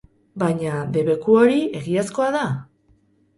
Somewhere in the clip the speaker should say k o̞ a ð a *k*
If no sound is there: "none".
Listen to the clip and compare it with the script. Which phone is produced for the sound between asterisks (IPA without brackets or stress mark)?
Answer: none